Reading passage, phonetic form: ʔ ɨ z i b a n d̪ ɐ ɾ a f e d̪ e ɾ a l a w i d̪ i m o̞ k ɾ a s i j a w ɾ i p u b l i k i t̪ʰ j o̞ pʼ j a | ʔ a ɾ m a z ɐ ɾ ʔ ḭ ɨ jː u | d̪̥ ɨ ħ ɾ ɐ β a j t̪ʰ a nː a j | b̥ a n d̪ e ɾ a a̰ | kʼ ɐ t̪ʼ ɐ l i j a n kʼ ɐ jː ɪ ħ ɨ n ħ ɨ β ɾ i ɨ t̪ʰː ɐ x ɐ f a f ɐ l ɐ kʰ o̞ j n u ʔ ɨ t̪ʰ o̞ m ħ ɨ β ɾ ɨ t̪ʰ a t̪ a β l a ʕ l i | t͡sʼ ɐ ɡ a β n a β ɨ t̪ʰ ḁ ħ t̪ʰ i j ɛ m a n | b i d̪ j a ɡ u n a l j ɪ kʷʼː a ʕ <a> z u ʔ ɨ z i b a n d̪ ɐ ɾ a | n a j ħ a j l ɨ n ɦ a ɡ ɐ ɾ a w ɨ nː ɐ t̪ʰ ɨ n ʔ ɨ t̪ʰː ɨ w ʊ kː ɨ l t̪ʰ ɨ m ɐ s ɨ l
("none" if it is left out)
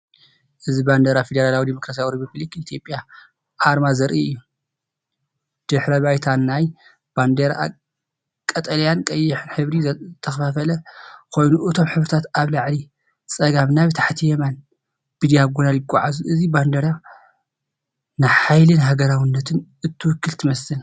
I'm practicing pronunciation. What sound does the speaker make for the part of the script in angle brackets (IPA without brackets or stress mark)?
a